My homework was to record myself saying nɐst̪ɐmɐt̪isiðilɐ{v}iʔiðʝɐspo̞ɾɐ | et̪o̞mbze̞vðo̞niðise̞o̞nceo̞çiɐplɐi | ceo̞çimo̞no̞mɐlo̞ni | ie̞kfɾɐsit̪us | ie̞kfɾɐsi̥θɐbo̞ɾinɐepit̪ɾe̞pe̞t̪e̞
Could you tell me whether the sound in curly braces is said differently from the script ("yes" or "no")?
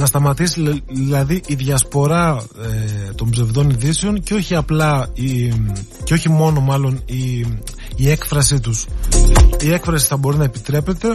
yes